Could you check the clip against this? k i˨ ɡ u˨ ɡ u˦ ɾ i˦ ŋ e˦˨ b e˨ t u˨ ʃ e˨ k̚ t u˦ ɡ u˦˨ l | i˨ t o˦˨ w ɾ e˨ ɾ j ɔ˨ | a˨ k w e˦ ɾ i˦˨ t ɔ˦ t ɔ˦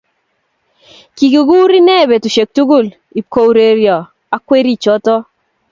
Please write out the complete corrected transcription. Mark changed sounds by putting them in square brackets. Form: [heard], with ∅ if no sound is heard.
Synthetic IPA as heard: k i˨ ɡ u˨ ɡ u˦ ɾ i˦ [n] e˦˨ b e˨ t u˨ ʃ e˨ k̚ t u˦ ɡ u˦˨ l | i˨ [k] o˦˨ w ɾ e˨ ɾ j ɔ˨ | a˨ k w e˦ ɾ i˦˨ [t͡ʃ] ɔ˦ t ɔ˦